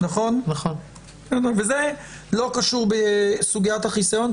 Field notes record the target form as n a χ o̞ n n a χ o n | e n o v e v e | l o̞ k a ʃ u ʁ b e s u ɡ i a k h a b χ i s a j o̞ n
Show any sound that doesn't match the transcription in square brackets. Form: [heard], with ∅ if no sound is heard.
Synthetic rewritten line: n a χ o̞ n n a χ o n | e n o v e [z] e | l o̞ k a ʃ u ʁ b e s u ɡ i a [t] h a [∅] χ i s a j o̞ n